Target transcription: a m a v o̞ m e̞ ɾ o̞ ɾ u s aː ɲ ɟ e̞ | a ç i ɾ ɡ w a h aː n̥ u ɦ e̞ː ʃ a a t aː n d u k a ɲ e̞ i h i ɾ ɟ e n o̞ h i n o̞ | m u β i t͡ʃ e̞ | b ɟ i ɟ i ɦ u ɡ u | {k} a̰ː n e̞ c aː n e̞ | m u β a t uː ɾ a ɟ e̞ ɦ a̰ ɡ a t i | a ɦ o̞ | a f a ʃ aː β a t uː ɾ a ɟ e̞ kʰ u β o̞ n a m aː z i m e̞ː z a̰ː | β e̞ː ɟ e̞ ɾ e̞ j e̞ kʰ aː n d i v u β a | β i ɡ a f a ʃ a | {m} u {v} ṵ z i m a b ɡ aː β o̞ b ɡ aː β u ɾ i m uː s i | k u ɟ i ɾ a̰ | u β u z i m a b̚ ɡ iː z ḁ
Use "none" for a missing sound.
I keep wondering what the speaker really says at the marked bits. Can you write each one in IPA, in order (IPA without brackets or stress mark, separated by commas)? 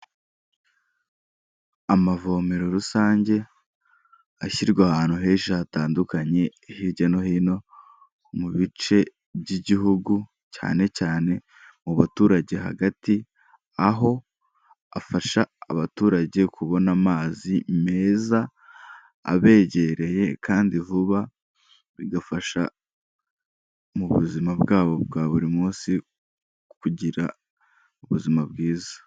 c, m, β